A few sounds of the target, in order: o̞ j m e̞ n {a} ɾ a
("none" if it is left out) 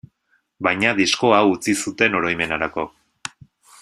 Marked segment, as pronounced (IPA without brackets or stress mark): a